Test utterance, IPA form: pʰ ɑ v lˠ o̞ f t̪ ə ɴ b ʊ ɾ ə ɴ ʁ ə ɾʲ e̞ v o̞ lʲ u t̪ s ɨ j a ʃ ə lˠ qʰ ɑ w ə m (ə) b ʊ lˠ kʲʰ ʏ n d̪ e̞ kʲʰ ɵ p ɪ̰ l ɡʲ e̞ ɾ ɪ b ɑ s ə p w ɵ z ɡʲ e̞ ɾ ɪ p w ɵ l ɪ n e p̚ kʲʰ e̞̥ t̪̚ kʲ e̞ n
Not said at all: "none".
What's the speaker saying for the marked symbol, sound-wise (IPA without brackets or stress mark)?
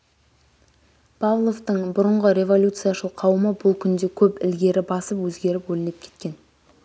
ə